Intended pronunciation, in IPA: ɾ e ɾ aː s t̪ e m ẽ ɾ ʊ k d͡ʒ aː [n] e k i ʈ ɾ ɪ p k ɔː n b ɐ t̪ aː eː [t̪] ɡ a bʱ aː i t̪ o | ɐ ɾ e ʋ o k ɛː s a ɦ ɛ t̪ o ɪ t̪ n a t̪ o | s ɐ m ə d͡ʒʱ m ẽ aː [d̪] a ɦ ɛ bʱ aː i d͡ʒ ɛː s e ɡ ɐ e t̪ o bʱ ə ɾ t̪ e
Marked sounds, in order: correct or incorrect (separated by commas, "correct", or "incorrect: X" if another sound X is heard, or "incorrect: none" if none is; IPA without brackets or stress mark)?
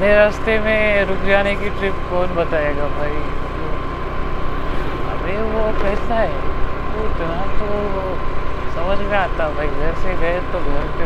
correct, incorrect: none, incorrect: t̪